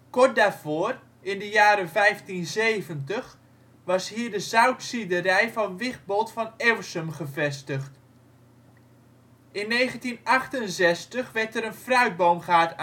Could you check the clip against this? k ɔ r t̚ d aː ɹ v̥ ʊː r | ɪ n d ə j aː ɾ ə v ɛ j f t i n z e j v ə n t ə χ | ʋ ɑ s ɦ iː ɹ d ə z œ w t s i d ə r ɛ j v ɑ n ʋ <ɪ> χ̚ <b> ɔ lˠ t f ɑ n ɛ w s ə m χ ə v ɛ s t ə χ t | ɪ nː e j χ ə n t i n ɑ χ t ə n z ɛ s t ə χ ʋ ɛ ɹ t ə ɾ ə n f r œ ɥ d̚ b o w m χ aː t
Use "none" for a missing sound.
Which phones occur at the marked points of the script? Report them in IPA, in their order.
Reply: ɪ, b

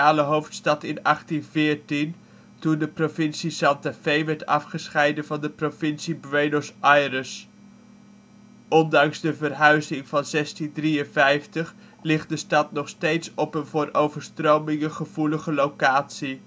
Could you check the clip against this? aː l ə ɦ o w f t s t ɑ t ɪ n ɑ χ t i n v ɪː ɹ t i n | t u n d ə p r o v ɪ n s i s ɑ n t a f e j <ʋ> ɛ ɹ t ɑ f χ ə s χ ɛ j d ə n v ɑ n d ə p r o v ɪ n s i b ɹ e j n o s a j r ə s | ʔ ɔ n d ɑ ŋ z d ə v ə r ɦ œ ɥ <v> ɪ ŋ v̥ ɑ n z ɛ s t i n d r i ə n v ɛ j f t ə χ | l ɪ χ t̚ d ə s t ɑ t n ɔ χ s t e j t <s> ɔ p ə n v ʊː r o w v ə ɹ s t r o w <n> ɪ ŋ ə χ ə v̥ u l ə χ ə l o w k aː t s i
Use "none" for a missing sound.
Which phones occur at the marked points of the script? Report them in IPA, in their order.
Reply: ʋ, z, s, m

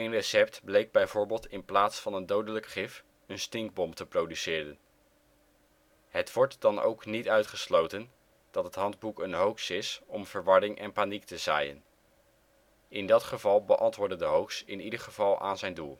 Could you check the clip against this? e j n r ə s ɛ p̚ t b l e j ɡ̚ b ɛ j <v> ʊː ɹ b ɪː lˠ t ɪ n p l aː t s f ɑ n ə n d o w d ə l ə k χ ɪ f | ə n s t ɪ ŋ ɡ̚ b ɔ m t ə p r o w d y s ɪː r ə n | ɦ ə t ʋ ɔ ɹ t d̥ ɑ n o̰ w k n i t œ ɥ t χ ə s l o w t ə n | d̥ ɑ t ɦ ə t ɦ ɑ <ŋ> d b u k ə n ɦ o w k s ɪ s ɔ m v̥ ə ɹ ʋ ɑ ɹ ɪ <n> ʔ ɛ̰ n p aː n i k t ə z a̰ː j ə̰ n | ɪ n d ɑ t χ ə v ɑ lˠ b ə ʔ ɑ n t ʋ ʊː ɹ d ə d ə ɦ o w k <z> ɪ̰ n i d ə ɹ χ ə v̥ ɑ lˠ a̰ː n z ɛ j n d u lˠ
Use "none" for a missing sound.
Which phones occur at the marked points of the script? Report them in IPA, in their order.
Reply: v, n, ŋ, s

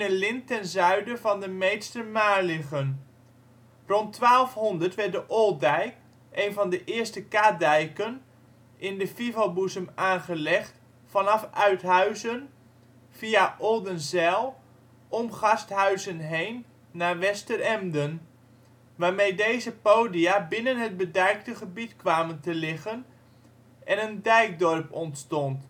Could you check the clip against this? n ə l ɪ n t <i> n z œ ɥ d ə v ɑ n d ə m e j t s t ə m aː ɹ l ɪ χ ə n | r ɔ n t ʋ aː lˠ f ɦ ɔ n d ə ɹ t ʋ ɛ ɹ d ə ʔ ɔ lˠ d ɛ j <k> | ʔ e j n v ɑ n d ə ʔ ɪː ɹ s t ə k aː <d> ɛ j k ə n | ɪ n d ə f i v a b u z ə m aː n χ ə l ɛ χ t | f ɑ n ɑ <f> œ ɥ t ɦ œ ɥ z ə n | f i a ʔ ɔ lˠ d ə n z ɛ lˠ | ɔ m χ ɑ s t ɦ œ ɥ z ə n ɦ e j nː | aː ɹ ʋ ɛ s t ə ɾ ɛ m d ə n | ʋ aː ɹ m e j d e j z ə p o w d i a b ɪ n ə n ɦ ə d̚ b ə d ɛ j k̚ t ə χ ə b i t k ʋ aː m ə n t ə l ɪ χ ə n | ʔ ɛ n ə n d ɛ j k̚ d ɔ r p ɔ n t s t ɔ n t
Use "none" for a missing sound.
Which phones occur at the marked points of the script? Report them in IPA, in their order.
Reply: ɛ, k, d, f

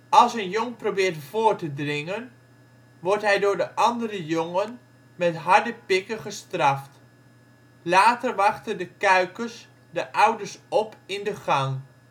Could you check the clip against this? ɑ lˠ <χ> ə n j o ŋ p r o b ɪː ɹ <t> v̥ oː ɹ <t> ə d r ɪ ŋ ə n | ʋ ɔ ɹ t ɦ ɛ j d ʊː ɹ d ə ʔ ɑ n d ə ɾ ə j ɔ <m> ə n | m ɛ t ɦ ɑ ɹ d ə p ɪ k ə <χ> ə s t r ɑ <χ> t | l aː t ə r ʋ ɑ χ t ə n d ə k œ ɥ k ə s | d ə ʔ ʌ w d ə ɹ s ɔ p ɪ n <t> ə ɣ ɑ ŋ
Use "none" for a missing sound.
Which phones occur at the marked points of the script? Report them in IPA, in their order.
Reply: s, t, t, ŋ, χ, f, d

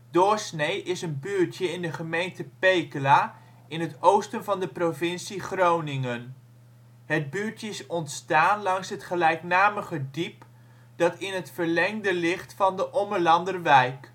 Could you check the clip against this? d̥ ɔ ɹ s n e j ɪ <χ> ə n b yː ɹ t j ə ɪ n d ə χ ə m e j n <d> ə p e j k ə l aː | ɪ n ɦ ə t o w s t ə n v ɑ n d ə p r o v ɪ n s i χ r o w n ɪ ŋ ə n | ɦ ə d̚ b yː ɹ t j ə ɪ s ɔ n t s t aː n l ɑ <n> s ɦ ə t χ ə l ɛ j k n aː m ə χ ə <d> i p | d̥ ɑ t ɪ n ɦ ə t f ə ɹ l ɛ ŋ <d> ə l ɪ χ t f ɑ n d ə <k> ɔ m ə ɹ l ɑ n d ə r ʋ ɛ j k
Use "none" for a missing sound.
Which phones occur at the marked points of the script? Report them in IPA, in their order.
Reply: s, t, ŋ, d, d, ʔ

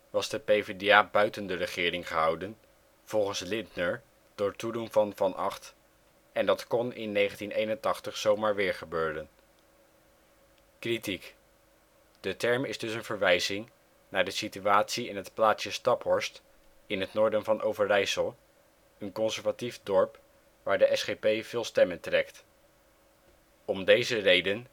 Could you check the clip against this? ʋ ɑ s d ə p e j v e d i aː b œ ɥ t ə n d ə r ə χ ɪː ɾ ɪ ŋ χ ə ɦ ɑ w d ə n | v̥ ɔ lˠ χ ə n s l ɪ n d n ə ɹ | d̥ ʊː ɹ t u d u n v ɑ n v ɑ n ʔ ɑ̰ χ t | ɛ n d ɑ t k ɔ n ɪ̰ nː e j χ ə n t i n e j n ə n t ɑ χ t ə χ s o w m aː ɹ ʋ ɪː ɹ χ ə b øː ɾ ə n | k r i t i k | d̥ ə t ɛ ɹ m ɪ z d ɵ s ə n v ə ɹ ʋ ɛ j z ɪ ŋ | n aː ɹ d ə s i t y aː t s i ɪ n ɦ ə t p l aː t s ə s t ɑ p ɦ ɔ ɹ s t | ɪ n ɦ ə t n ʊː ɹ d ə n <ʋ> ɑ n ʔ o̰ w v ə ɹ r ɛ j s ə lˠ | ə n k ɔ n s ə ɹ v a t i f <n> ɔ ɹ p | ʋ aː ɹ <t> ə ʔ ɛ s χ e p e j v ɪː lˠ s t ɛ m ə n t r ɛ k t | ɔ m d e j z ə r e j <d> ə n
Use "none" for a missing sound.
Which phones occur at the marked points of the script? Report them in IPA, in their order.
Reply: v, d, d, d

